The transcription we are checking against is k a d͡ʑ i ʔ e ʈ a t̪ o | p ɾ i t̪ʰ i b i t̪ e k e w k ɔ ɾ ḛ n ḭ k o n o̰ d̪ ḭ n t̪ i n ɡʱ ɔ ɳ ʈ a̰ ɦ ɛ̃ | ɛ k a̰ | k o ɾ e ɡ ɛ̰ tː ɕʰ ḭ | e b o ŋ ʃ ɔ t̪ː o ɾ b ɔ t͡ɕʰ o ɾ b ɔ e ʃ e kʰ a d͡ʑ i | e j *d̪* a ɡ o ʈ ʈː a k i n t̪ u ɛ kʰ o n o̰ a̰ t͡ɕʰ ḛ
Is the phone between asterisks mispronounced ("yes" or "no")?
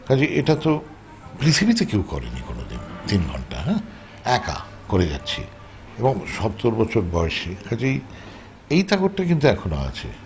yes